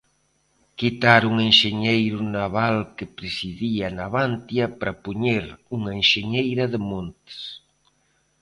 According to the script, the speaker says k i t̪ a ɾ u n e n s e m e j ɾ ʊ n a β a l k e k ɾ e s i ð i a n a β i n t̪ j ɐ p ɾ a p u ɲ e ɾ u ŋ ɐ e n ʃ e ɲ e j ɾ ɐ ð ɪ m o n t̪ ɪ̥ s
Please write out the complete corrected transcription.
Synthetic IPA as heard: k i t̪ a ɾ u ŋ e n ʃ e ɲ e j ɾ ʊ n a β a l k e p ɾ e s i ð i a n a β a n t̪ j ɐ p ɾ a p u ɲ e ɾ u ŋ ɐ e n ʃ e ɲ e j ɾ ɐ ð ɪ m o n t̪ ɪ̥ s